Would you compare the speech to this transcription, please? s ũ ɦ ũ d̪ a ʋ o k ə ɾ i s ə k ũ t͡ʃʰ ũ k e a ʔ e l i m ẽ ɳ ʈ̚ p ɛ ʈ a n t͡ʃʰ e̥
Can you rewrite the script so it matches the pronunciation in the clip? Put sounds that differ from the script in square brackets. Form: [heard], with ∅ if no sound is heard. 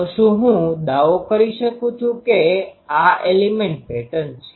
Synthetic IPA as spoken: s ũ ɦ ũ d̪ a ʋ o k ə ɾ i [ʃ] ə k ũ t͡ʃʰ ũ k e a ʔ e l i m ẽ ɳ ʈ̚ p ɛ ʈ [ə] n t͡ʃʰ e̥